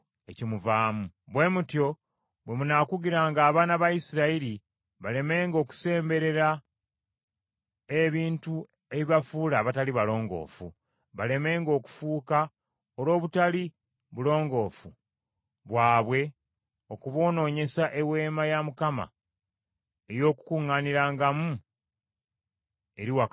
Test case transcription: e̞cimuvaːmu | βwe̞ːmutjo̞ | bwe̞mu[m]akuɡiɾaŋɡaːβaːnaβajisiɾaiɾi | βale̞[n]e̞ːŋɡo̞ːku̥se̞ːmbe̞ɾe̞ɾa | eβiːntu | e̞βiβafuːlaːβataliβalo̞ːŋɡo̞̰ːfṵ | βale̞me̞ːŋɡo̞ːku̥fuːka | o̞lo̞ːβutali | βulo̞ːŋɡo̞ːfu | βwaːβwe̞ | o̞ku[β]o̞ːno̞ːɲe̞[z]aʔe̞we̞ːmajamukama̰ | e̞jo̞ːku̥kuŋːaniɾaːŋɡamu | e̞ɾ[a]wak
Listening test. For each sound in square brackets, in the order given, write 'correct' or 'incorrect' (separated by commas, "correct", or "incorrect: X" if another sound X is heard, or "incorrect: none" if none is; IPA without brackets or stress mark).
incorrect: n, incorrect: m, correct, incorrect: s, incorrect: i